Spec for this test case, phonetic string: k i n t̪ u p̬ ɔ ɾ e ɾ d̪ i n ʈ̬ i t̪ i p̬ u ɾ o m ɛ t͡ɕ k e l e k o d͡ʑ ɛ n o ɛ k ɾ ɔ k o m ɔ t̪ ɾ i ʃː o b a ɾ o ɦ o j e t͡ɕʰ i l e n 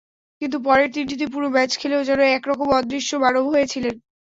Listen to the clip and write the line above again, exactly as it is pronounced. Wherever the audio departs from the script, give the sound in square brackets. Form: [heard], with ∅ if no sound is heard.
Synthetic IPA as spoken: k i n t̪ u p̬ ɔ ɾ e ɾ [t̪] i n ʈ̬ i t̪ i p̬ u ɾ o m ɛ t͡ɕ [kʰ] e l e [∅] o d͡ʑ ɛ n o ɛ k ɾ ɔ k o m ɔ [d̪] ɾ i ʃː o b a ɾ o ɦ o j e t͡ɕʰ i l e n